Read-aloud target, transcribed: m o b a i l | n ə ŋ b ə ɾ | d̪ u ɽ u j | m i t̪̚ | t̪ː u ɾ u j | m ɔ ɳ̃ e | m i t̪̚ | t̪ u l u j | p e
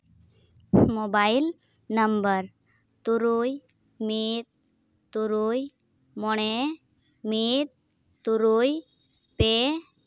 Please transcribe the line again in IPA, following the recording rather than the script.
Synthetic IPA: m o b a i l | n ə m b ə ɾ | t̪ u ɾ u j | m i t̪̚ | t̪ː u ɾ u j | m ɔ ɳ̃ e | m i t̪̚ | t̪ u ɾ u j | p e